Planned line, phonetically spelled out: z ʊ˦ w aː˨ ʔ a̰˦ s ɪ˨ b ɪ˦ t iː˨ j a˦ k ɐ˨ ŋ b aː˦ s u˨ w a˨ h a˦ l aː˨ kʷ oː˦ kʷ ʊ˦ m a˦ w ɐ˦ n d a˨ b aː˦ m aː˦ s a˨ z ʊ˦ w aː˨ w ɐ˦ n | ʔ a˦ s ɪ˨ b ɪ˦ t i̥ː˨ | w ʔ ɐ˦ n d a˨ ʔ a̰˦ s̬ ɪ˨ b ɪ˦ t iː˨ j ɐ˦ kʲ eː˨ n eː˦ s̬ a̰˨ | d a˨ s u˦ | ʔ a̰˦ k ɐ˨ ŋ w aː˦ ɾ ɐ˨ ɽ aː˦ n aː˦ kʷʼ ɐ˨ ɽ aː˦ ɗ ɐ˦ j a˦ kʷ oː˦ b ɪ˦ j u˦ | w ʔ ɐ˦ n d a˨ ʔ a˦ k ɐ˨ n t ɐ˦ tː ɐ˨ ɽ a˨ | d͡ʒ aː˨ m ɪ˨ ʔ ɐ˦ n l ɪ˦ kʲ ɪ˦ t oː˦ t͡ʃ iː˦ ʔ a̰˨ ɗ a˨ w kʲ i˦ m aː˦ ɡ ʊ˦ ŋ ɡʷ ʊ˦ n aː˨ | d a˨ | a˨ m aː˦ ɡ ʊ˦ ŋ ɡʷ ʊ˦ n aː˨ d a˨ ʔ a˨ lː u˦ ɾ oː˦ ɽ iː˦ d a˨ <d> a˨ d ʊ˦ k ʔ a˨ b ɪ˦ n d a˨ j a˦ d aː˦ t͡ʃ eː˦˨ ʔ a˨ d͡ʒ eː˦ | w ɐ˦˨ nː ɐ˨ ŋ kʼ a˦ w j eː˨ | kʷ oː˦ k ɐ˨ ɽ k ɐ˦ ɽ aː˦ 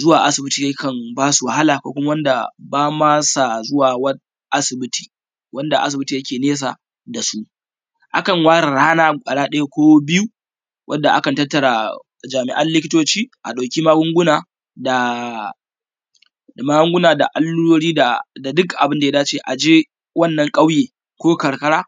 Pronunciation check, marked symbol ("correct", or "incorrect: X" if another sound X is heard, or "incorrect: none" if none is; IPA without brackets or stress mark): correct